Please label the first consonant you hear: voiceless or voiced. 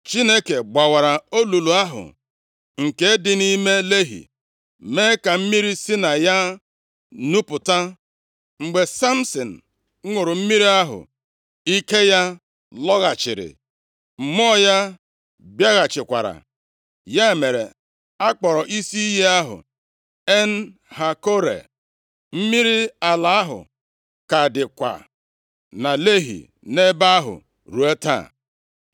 voiceless